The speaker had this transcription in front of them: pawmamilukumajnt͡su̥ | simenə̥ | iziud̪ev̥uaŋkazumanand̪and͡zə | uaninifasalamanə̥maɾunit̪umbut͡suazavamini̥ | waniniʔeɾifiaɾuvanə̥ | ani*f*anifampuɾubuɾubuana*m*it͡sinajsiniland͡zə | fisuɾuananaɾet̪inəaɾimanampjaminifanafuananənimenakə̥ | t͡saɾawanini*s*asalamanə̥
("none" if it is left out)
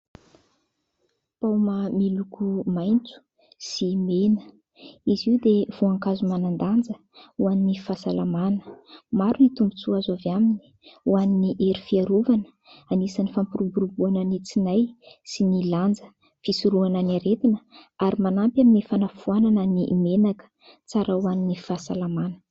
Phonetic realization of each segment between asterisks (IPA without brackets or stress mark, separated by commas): s, n, f